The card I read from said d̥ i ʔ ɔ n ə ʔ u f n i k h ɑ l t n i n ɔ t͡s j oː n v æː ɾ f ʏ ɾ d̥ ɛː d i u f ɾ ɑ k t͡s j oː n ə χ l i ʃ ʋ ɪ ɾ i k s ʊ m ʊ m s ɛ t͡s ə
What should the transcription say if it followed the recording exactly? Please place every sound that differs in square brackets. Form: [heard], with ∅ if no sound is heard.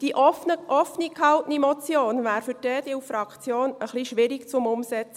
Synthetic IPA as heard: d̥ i ʔ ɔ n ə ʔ [ɔ] f n i k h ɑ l t n i [m] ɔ t͡s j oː n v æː ɾ f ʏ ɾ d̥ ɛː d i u f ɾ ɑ k t͡s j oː n ə χ l i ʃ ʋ ɪ ɾ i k [t͡s] ʊ m ʊ m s ɛ t͡s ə